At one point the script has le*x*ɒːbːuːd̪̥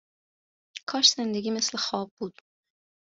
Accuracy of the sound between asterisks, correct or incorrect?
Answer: correct